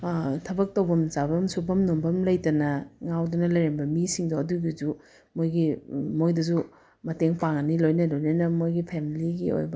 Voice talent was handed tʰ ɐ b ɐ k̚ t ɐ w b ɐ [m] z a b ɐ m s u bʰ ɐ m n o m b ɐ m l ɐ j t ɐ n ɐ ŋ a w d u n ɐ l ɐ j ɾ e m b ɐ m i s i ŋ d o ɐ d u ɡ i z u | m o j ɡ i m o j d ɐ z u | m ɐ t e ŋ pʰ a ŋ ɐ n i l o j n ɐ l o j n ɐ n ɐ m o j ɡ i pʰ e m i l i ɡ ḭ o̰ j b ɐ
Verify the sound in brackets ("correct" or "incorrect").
correct